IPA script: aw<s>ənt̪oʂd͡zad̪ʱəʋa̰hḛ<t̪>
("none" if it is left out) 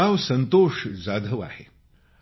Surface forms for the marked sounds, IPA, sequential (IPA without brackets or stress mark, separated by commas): s, none